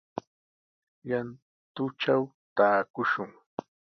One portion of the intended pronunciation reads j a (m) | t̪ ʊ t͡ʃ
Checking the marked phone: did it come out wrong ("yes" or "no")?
yes